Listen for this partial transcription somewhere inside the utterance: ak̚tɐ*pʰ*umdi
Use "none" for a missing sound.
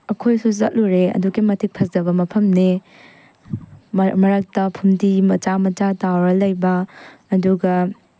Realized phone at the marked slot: pʰ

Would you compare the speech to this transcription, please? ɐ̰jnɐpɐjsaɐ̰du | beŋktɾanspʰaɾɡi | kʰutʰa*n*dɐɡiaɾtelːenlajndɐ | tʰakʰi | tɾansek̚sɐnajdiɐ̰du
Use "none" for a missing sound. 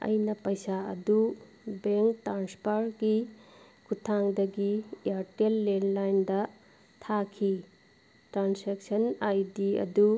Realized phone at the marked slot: ŋ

